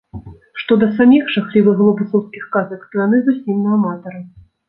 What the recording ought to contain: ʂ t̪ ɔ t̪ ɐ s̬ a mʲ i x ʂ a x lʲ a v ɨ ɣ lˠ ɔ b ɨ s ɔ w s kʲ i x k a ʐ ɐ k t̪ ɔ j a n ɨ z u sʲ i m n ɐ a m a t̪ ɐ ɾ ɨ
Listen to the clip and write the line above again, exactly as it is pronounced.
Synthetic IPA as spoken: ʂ t̪ ɔ d̪ ɐ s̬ a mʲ i x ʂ a x lʲ i v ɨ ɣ lˠ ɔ b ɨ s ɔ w s kʲ i x k a z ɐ k t̪ ɔ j a n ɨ z u sʲ i m n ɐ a m a t̪ ɐ ɾ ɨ